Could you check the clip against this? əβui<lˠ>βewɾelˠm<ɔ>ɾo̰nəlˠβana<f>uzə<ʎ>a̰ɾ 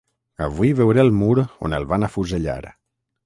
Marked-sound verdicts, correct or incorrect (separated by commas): incorrect, incorrect, correct, correct